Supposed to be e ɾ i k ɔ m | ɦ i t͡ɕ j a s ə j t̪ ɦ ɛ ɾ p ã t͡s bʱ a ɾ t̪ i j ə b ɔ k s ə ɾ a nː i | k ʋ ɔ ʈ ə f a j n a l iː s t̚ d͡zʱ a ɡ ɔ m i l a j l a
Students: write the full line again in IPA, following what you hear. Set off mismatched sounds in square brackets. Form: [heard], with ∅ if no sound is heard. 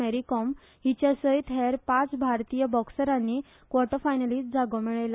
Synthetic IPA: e ɾ i k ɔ m | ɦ i t͡ɕ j a s ə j t̪ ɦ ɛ ɾ p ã t͡s bʱ a ɾ t̪ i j ə b ɔ k s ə ɾ a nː i | k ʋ ɔ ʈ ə f a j n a l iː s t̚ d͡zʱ a ɡ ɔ m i [ɭ] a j l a